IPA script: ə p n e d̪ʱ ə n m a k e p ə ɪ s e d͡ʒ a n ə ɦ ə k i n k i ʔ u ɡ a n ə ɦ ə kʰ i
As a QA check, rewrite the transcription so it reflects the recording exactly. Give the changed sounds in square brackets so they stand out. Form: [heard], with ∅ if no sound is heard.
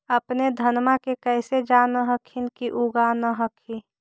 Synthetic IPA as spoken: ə p n e d̪ʱ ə n m a k e [k] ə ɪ s e d͡ʒ a n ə ɦ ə [kʰ] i n k i ʔ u ɡ a n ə ɦ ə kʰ i